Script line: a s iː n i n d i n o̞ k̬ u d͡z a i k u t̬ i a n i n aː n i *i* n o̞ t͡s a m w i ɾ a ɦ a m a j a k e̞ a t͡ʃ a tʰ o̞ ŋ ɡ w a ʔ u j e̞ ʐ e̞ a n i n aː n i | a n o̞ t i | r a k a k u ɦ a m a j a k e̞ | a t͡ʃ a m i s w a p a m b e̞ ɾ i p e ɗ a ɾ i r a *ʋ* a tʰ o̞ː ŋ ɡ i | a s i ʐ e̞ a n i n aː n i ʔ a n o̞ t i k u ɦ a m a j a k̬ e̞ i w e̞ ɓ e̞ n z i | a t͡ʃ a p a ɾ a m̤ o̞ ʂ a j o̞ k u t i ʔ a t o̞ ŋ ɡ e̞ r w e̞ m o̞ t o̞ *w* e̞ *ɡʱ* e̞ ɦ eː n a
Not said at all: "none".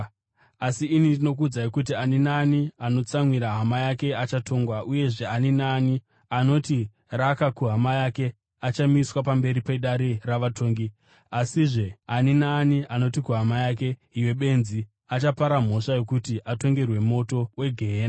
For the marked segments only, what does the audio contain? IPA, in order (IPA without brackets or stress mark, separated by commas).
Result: a, ʋ, w, ɡʱ